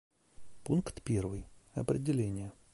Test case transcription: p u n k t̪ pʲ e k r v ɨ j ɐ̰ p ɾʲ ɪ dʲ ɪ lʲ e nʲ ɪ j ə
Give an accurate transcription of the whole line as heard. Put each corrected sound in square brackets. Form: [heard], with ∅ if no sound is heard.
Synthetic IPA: p u n k t̪ pʲ e [∅] r v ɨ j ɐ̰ p ɾʲ ɪ dʲ ɪ lʲ e nʲ ɪ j ə